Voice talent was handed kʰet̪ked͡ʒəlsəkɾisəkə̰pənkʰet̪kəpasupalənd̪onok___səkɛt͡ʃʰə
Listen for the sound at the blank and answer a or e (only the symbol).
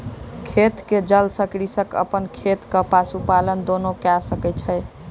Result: a